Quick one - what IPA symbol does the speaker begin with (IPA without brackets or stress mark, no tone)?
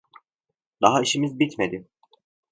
d̪